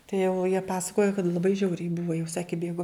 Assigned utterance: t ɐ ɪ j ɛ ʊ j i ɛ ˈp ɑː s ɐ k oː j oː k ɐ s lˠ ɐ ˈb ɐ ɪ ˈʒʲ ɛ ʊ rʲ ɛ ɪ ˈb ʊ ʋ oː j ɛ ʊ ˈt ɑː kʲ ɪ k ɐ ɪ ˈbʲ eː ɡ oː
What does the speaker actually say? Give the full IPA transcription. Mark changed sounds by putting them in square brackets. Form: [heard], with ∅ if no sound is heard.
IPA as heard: t ɐ ɪ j ɛ ʊ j i ɛ ˈp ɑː s ɐ k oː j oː k ɐ [t] lˠ ɐ ˈb ɐ ɪ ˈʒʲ ɛ ʊ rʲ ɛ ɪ ˈb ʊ ʋ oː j ɛ ʊ [ˈs] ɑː kʲ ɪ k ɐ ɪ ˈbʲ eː ɡ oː